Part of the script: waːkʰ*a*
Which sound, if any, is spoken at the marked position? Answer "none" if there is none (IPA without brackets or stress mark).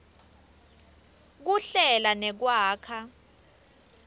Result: a